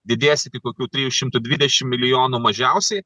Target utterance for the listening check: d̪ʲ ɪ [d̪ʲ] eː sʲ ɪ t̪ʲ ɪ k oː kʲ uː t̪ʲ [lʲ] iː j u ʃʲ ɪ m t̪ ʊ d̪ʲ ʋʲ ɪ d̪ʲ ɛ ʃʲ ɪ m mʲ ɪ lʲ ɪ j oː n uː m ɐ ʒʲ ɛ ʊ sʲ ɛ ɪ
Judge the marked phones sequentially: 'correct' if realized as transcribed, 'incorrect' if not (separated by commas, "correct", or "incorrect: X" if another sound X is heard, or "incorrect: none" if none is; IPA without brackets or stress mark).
correct, incorrect: ɾʲ